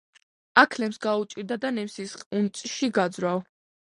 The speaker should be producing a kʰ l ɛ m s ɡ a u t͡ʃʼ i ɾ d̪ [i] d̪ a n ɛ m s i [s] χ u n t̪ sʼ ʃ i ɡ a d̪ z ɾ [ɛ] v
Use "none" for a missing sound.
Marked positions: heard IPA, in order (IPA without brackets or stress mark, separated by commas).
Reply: a, s, a